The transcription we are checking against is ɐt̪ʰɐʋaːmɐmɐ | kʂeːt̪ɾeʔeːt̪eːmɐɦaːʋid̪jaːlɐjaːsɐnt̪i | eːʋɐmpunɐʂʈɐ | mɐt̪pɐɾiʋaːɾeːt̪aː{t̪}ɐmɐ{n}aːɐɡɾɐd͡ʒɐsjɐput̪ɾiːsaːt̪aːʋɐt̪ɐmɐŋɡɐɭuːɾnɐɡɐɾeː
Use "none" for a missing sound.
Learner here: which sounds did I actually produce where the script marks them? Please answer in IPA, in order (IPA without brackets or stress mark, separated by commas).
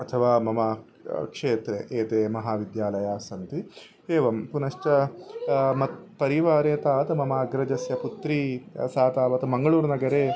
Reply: t̪, m